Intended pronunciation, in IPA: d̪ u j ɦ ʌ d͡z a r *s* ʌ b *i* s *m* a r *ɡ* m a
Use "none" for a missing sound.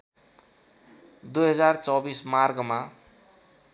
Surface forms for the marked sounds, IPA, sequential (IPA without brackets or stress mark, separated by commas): t͡s, i, m, ɡ